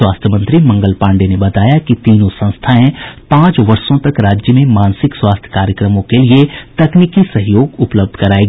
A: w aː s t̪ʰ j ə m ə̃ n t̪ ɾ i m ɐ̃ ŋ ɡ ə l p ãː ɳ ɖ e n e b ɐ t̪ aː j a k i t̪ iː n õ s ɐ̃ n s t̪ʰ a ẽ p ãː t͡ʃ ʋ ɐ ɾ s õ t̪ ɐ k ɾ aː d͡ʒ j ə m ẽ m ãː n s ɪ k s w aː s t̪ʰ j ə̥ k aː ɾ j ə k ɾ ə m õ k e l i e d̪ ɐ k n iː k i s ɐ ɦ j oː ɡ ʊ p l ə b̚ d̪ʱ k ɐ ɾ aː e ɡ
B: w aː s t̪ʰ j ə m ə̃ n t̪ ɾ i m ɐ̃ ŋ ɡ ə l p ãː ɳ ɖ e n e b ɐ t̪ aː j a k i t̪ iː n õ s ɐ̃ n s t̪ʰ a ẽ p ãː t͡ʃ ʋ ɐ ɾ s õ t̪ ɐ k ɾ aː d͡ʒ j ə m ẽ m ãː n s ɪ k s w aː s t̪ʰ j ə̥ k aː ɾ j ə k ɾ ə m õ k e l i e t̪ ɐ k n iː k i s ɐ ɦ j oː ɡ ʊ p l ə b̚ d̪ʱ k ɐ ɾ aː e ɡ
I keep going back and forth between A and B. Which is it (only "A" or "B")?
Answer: B